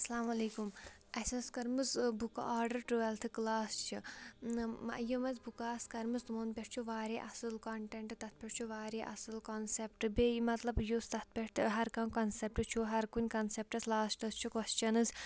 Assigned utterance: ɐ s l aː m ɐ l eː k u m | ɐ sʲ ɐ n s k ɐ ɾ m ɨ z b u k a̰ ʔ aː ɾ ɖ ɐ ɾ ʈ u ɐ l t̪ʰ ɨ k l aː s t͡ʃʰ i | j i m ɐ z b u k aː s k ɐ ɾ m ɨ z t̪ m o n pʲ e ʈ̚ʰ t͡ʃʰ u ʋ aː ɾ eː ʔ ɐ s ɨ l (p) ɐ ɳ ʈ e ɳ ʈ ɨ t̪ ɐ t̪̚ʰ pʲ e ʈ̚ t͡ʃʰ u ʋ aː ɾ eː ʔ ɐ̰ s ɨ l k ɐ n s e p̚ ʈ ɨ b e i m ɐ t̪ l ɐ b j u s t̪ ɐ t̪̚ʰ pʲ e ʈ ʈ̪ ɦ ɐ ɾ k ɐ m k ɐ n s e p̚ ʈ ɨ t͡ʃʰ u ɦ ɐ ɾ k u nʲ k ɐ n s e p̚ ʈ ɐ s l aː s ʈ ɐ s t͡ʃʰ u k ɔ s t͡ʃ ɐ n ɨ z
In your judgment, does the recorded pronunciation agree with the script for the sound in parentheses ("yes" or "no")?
no